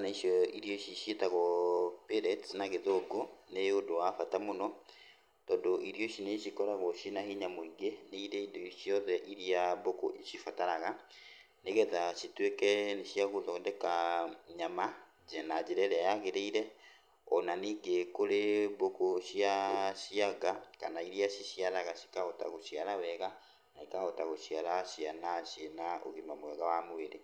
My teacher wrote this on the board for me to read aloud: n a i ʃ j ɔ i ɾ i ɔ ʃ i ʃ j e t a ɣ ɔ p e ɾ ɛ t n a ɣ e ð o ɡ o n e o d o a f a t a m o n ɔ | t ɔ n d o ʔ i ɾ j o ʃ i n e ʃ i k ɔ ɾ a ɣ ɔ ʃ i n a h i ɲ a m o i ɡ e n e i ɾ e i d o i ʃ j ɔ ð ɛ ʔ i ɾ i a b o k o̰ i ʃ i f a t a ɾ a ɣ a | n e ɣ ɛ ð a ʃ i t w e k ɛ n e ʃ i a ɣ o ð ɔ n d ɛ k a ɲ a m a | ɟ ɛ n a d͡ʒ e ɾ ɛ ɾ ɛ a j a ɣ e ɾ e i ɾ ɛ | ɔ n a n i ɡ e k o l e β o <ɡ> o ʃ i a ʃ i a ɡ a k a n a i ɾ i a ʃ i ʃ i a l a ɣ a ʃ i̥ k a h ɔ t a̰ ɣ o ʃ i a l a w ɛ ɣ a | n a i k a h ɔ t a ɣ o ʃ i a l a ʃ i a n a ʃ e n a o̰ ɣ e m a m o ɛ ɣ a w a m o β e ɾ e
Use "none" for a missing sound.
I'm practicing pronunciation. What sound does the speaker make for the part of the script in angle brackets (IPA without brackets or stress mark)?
k